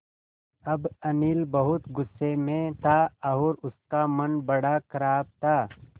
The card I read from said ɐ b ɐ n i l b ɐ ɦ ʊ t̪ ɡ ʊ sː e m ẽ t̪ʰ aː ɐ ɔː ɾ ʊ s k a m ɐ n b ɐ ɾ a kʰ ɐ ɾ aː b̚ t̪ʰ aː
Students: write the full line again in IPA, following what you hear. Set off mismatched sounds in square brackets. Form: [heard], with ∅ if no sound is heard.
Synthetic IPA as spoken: ɐ b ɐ n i l b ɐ ɦ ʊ t̪ ɡ ʊ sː e m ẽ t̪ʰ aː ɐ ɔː ɾ ʊ s k a m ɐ n b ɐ [ɽ] a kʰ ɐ ɾ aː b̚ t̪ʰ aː